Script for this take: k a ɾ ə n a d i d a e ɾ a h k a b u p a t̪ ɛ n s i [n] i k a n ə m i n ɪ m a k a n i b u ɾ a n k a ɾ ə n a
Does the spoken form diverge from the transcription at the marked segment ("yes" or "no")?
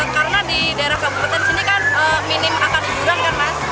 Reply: no